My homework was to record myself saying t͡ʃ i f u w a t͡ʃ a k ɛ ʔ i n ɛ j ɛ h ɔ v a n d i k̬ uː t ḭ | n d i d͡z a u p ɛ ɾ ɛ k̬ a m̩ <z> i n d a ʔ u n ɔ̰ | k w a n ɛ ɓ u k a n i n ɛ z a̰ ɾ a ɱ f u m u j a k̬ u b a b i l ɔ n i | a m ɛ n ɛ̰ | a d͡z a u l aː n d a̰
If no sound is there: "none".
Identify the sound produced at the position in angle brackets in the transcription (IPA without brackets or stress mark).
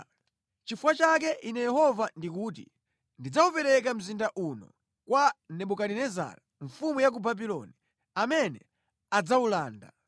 z